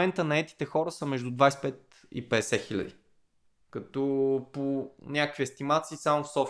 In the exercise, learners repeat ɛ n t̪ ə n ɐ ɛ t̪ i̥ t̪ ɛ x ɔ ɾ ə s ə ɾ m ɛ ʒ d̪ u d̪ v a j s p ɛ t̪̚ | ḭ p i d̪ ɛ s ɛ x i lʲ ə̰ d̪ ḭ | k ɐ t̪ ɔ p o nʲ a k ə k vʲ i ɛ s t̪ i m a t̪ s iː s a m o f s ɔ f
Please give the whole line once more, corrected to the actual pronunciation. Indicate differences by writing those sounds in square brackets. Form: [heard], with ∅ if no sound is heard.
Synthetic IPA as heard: ɛ n t̪ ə n ɐ ɛ t̪ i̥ t̪ ɛ x ɔ ɾ ə s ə [∅] m ɛ ʒ d̪ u d̪ v a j s p ɛ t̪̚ | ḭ p [ɛ] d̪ ɛ s ɛ x i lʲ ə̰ d̪ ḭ | k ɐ t̪ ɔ p o nʲ a k ə k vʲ i ɛ s t̪ i m a t̪ s iː s a m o f s ɔ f